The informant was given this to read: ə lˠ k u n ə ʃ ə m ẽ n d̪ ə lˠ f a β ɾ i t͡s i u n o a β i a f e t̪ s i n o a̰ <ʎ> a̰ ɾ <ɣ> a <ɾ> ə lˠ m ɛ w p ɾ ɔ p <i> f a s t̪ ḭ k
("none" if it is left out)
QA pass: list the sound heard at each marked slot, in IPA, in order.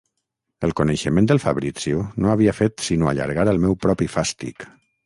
ʎ, ɣ, ɾ, i

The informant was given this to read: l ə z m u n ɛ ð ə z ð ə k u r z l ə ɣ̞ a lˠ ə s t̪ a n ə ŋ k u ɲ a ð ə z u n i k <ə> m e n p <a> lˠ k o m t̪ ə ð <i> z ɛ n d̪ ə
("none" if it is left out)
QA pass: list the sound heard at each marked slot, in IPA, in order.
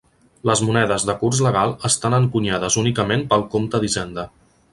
ə, ə, i

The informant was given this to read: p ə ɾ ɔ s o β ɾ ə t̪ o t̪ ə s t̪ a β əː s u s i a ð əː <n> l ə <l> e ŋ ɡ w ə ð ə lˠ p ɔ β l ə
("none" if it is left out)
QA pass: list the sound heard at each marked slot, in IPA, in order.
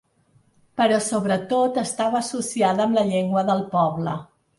m, ʎ

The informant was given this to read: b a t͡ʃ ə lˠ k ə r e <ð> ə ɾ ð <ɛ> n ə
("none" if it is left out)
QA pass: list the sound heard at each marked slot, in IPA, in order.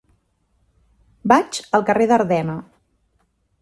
ð, ɛ

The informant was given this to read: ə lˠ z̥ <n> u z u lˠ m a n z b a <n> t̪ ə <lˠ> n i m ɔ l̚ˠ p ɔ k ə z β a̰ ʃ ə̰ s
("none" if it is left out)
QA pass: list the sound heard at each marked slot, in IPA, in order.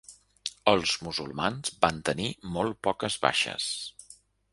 m, n, none

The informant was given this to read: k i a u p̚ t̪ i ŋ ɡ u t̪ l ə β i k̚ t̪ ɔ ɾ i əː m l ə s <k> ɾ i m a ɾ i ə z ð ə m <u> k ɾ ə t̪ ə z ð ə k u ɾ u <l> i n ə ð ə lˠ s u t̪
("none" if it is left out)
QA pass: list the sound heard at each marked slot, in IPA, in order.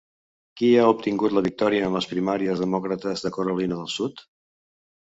p, ɔ, l

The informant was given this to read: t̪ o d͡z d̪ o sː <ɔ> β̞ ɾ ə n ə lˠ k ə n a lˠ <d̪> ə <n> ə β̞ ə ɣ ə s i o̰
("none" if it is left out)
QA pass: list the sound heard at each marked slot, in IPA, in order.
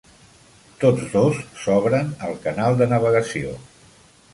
ɔ, d̪, n

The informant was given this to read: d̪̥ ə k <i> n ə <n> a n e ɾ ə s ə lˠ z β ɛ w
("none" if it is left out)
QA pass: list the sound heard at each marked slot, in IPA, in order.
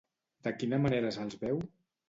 i, m

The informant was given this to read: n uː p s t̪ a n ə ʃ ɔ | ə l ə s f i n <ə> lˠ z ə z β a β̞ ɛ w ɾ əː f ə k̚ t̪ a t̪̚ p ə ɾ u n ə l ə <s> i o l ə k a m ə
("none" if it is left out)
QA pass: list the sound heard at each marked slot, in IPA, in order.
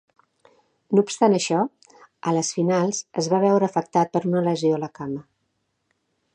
a, z

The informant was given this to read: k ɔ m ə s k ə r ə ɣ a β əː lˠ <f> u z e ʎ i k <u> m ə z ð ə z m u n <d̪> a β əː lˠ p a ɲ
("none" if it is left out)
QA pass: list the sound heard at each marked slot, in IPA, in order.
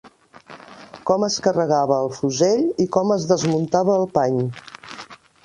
f, ɔ, t̪

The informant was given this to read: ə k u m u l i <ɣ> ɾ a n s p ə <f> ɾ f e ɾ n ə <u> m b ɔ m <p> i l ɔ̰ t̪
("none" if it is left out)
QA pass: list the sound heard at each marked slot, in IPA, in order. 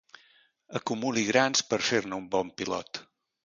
ɣ, none, u, p

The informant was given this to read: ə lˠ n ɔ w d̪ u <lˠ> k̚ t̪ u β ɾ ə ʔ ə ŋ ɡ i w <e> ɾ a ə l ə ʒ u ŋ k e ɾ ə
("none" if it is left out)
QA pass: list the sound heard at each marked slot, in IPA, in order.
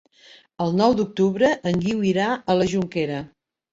none, i

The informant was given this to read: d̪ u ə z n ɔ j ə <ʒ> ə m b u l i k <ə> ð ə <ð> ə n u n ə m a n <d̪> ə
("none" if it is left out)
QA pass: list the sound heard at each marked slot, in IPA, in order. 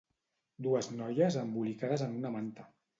z, a, z, t̪

